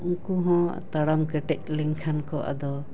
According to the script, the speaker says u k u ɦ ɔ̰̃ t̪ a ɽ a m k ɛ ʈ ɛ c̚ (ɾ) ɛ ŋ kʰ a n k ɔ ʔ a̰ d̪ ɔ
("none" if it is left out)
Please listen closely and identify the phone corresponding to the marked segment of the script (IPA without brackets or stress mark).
l